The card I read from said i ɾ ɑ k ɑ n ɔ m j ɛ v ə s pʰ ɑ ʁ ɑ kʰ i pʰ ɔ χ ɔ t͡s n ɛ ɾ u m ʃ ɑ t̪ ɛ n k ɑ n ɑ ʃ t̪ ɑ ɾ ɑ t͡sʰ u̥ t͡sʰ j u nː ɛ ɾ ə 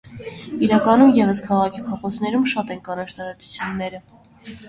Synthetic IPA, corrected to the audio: i ɾ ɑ k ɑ n u m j ɛ v ə s kʰ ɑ ʁ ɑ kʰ i pʰ ɔ χ ɔ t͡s n ɛ ɾ u m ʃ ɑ t̪ ɛ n k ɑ n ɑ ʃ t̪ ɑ ɾ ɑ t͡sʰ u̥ t͡sʰ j u nː ɛ ɾ ə